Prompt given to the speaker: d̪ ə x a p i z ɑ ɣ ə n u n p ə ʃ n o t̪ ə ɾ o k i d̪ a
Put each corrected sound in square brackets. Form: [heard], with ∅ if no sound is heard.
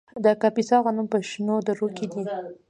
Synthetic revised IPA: d̪ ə [k] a p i [s] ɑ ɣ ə n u [m] p ə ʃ n o [d̪] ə ɾ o k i d̪ [i]